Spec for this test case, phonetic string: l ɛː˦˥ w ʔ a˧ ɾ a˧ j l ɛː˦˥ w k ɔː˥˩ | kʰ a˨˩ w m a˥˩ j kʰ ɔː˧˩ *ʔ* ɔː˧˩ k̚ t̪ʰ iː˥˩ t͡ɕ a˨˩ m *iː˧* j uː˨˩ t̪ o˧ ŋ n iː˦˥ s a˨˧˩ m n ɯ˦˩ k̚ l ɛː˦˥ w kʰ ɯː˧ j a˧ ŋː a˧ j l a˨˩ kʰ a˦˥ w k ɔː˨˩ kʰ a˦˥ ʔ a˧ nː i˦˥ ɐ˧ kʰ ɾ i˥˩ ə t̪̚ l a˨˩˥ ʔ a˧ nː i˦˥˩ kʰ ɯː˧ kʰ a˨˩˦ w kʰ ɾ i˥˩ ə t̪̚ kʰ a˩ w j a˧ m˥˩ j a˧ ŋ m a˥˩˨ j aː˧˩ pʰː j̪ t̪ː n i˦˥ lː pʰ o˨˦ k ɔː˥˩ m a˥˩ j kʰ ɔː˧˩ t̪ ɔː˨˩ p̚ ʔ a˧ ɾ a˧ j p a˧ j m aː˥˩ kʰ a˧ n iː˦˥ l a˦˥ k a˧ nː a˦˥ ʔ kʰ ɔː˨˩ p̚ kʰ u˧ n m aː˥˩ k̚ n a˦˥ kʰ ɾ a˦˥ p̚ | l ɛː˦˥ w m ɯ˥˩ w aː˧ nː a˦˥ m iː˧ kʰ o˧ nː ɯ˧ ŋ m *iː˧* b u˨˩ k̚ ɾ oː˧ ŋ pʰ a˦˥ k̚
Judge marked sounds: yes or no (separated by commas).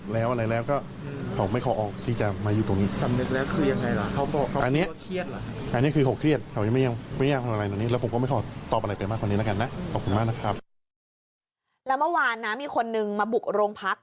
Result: yes, no, no